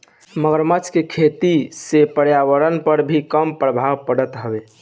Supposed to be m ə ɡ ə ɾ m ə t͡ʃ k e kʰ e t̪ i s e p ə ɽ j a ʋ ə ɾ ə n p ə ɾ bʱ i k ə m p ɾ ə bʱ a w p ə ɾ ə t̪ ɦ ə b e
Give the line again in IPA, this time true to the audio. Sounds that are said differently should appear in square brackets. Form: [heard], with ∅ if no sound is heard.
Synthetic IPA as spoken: m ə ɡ ə ɾ m ə t͡ʃ k e kʰ e t̪ i s e p ə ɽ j a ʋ ə ɾ ə n p ə ɾ bʱ i k ə m p ɾ ə bʱ a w p ə [ɽ] ə t̪ ɦ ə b e